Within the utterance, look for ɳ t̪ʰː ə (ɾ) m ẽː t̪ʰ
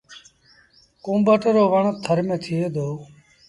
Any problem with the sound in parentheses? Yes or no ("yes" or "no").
no